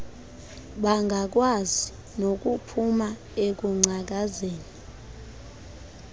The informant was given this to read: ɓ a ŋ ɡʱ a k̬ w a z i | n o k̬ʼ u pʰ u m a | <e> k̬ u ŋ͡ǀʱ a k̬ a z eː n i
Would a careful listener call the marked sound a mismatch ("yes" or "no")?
no